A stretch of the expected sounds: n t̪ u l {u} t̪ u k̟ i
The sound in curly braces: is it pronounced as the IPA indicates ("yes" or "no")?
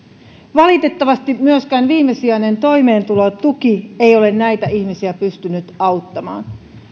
no